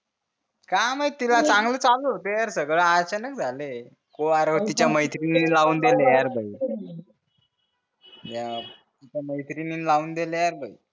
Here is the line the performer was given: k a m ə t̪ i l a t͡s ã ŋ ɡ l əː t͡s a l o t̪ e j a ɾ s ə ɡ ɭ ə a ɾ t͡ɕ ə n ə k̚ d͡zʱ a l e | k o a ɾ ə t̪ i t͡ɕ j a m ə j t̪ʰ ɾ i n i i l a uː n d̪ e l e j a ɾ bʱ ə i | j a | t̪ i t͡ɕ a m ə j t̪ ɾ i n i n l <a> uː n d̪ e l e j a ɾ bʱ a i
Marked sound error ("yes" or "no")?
no